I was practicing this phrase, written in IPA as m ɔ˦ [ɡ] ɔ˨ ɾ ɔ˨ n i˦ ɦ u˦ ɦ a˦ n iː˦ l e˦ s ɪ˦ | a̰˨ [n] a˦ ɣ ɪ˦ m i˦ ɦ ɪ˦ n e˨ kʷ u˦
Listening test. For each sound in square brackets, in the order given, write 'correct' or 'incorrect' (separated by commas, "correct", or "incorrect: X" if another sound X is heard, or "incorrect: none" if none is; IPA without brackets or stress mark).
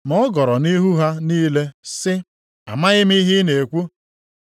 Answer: correct, incorrect: m